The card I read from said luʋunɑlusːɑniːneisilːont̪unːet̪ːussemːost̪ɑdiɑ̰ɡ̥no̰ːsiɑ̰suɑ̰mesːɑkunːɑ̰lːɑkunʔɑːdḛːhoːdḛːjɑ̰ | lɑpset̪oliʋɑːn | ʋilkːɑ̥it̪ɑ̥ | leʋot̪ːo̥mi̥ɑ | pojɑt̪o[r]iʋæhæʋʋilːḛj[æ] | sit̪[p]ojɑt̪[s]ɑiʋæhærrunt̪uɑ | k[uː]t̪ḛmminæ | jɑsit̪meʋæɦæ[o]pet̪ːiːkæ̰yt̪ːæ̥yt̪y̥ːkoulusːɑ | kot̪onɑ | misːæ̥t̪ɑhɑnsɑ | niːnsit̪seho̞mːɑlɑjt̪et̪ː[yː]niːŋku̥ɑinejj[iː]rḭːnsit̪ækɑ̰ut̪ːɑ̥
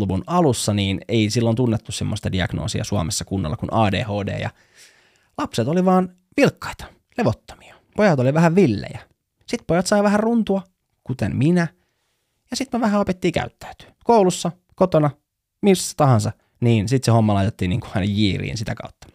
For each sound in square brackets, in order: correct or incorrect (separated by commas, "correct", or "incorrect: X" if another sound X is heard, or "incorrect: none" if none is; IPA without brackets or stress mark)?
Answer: incorrect: l, correct, correct, correct, incorrect: u, correct, incorrect: iː, correct